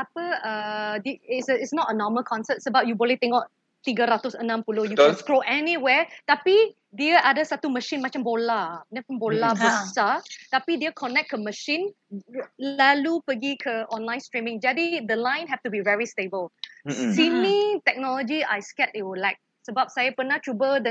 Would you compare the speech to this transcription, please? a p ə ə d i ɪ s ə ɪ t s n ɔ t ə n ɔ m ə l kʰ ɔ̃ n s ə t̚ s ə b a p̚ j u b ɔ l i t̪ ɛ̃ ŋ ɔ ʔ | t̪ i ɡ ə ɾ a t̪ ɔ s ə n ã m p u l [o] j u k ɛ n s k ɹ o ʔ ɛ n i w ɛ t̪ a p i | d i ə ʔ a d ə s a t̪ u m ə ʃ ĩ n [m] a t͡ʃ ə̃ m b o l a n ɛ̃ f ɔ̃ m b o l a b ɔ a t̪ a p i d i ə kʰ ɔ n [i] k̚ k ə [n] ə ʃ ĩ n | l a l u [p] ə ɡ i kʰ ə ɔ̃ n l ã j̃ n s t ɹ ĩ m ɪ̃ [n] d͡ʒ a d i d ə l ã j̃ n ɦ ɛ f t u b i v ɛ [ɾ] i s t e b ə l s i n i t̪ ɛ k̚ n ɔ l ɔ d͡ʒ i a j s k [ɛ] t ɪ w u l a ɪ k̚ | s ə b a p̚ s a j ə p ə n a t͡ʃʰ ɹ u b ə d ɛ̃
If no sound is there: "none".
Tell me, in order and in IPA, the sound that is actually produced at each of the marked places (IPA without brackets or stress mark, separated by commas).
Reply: o, m, ɛ, m, p, ŋ, ɹ, ɛ